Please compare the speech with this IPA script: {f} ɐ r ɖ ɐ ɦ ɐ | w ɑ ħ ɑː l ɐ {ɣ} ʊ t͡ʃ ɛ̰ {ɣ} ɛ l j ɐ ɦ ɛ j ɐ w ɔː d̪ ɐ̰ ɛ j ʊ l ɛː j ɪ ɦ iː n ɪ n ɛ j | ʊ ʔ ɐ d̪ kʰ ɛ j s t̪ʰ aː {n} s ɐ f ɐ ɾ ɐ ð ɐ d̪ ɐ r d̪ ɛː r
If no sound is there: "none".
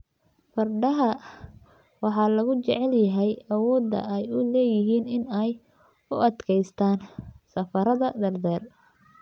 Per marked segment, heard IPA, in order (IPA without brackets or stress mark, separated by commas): f, ɣ, ʕ, n